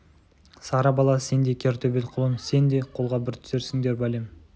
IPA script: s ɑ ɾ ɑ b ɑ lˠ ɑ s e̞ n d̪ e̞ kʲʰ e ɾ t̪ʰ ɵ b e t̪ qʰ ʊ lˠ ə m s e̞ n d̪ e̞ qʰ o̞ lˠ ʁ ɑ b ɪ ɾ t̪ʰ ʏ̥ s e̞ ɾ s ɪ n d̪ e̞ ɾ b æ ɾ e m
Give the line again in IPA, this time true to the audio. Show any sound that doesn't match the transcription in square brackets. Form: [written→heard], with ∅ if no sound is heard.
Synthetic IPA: s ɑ ɾ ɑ b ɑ lˠ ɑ s e̞ n d̪ e̞ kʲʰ e ɾ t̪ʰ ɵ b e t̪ qʰ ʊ lˠ ə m s e̞ n d̪ e̞ qʰ o̞ lˠ ʁ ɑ b ɪ ɾ t̪ʰ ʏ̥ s e̞ ɾ s ɪ [n→ŋ] d̪ e̞ ɾ b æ [ɾ→l] e m